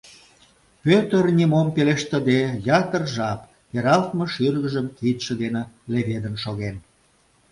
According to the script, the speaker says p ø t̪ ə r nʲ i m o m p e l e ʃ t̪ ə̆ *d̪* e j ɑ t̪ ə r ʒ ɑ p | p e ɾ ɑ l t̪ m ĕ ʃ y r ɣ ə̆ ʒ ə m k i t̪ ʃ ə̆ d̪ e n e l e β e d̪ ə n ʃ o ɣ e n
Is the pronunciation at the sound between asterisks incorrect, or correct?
correct